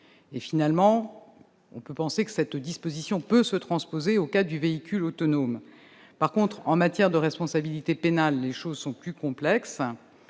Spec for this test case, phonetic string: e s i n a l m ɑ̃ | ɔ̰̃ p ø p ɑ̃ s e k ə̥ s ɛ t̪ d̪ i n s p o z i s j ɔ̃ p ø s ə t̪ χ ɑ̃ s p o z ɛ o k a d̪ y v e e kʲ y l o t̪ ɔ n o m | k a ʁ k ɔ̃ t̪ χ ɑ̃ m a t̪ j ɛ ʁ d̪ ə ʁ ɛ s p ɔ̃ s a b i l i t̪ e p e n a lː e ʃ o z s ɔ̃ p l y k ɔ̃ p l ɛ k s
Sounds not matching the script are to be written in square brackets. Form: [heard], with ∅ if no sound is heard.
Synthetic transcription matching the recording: e [f] i n a l m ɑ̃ | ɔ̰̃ p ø p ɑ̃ s e k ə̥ s ɛ t̪ d̪ i [∅] s p o z i s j ɔ̃ p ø s ə t̪ χ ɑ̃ s p o z [e] o k a d̪ y v e [i] kʲ y l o t̪ ɔ n o m | [p] a ʁ k ɔ̃ t̪ χ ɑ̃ m a t̪ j ɛ ʁ d̪ ə ʁ ɛ s p ɔ̃ s a b i l i t̪ e p e n a lː e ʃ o z s ɔ̃ p l y k ɔ̃ p l ɛ k s